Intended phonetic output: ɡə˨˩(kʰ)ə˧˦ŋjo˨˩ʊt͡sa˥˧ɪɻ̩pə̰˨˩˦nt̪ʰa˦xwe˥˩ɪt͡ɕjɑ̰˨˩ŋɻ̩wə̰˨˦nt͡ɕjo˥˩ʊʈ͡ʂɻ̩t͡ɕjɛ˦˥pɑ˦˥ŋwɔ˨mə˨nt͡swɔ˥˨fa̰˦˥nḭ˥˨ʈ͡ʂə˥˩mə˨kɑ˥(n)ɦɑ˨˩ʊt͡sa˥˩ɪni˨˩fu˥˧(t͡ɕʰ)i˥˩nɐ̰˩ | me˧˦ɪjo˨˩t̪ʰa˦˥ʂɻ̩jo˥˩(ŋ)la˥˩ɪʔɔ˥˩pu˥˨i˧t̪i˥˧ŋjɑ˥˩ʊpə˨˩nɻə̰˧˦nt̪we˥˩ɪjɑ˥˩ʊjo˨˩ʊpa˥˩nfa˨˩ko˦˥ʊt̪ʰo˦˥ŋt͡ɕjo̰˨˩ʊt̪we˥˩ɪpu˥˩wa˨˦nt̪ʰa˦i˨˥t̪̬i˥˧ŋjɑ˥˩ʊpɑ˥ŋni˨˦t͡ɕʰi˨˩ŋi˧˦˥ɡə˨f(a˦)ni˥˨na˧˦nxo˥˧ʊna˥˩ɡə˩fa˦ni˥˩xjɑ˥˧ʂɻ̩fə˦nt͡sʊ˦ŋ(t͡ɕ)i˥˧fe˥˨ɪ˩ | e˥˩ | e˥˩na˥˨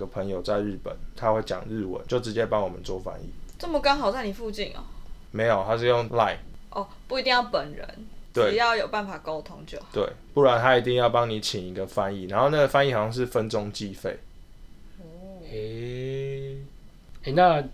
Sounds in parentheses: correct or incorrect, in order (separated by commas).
incorrect, incorrect, incorrect, correct, correct, correct